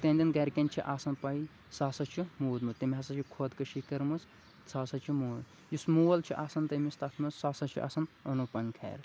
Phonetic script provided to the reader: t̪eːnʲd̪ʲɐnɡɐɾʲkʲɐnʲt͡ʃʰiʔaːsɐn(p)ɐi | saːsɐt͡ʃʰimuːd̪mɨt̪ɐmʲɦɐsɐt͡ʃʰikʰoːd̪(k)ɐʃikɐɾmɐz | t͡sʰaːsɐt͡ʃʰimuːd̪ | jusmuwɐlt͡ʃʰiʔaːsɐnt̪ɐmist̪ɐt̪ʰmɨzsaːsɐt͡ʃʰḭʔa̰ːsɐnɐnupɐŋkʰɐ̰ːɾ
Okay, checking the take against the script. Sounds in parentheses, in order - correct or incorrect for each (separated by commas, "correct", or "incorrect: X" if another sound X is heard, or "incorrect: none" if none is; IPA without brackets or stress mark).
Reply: correct, correct